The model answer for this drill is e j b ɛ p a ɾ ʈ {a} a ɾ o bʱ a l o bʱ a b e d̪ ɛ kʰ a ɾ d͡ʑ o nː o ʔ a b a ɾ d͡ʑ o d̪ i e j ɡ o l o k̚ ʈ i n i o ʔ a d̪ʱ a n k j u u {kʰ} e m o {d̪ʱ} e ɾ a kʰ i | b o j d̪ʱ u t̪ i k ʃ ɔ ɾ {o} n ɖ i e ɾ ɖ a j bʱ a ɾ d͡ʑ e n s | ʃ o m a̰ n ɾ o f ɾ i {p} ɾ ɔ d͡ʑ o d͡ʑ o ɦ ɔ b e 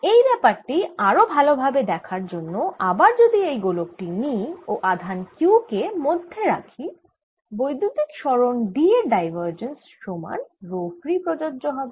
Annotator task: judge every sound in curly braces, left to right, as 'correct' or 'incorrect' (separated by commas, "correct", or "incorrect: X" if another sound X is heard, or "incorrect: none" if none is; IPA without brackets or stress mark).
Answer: incorrect: i, incorrect: k, incorrect: d̪ʱː, correct, correct